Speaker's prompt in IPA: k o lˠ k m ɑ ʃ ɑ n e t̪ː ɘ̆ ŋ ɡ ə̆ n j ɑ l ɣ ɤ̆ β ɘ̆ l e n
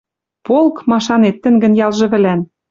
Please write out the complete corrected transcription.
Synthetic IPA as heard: p o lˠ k m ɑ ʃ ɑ n e t̪ː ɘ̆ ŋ ɡ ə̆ n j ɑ l ʒ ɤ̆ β ɘ̆ l æ n